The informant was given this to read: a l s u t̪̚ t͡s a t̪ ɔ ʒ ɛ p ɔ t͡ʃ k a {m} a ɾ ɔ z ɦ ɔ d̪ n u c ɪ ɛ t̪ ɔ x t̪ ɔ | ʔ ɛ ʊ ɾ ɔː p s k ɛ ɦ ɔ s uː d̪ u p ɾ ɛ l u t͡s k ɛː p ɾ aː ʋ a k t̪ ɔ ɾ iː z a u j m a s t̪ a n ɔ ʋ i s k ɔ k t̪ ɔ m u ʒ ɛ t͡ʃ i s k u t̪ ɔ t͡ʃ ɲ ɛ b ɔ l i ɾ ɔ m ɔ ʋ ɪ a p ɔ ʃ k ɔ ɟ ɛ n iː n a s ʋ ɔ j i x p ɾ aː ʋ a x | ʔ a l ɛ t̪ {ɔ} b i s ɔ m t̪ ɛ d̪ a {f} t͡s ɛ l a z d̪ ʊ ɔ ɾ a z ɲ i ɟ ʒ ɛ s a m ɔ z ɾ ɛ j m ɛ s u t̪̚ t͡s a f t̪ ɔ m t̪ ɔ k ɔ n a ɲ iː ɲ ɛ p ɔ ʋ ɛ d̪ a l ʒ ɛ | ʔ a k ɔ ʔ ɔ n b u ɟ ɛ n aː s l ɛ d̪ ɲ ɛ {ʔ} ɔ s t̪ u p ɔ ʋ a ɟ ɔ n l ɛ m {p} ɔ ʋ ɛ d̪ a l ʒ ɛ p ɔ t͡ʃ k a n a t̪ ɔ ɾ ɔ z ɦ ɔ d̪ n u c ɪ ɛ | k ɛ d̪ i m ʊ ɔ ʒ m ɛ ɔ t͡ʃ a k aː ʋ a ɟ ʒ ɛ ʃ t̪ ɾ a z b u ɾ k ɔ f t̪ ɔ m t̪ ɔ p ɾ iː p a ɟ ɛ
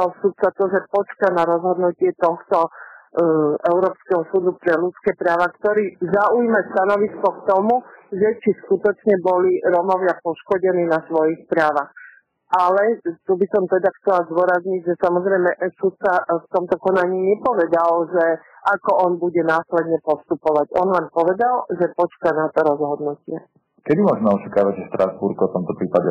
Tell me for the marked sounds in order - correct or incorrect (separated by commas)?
incorrect, incorrect, incorrect, incorrect, correct